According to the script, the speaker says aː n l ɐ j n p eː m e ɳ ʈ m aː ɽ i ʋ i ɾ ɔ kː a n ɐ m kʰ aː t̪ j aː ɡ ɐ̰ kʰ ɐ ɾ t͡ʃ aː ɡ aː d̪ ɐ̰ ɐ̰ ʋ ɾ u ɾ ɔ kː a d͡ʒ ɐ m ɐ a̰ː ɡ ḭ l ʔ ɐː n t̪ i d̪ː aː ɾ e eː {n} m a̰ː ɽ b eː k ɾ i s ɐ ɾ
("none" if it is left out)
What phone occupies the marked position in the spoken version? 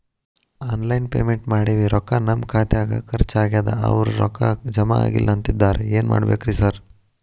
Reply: n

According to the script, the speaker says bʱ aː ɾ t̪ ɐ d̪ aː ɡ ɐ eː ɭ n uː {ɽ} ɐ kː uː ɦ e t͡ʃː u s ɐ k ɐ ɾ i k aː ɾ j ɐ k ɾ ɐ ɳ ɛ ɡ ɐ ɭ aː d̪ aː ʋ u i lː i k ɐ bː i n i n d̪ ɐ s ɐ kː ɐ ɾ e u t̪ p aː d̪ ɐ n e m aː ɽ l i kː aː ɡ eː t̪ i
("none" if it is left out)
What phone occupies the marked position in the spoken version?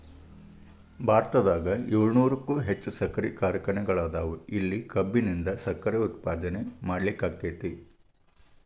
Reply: ɾ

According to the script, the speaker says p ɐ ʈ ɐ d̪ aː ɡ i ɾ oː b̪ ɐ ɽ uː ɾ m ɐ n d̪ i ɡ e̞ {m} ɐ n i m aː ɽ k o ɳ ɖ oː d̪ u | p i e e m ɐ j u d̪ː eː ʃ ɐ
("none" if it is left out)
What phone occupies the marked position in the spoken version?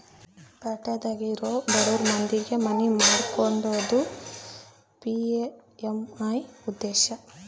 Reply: m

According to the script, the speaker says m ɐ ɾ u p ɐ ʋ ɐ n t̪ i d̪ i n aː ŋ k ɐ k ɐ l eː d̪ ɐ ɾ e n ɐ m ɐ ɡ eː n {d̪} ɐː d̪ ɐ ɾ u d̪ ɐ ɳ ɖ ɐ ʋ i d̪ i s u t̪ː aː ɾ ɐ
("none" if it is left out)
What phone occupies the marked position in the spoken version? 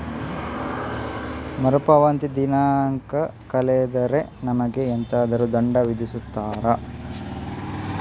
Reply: t̪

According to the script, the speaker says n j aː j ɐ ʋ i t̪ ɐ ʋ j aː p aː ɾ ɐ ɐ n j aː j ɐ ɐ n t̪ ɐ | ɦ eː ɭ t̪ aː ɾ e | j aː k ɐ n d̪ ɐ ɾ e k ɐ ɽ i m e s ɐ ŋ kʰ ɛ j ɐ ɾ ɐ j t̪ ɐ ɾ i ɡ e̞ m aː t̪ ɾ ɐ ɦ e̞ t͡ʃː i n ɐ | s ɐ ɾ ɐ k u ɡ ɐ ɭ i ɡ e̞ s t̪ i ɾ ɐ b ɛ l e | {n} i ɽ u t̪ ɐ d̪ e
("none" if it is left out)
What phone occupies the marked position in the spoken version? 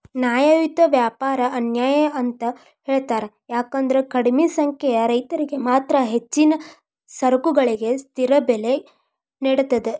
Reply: n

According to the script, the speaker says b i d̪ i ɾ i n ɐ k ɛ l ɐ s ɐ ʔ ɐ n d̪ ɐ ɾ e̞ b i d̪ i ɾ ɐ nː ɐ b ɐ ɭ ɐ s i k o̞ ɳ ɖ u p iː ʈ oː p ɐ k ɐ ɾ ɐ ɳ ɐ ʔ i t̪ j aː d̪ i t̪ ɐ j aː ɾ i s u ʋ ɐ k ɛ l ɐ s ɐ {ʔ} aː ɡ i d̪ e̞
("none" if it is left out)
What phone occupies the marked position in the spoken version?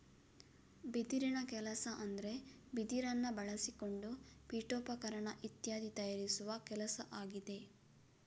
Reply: ʔ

